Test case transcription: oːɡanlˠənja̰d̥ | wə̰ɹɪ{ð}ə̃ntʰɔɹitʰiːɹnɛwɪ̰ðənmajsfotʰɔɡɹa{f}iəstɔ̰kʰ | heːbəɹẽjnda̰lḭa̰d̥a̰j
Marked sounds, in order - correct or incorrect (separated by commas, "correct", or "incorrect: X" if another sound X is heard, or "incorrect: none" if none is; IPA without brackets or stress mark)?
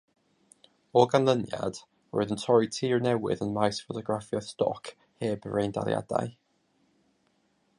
correct, correct